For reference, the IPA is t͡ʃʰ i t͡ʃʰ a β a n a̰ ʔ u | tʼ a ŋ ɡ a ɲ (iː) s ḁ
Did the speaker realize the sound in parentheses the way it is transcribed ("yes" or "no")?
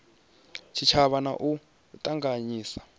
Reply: yes